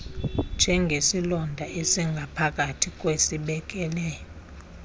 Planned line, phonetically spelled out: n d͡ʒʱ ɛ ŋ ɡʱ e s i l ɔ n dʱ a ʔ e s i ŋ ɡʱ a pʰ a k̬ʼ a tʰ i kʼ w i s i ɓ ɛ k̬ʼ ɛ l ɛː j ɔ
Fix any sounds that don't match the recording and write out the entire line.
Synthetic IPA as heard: n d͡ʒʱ ɛ ŋ ɡʱ e s i l ɔ n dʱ a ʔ e s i ŋ ɡʱ a pʰ a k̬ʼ a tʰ i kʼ w e s i ɓ ɛ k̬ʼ ɛ l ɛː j ɔ

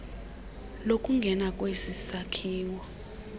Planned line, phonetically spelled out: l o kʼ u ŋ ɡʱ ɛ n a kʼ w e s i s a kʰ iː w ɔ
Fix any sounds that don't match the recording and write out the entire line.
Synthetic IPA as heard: l o kʼ u ŋ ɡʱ ɛ n a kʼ w e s i s a kʰ iː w ɔ

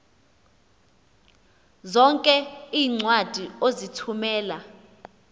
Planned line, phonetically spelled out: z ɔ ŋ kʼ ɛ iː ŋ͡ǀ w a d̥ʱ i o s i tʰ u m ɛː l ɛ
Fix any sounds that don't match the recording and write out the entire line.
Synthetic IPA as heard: z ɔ ŋ kʼ ɛ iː ŋ͡ǀ w a d̥ʱ i o z i tʰ u m ɛː l a

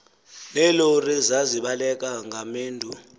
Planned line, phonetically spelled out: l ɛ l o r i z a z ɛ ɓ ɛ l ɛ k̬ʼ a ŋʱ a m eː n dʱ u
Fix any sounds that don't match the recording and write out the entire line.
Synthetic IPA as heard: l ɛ l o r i z a z i ɓ a l ɛ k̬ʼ a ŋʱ a m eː n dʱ u

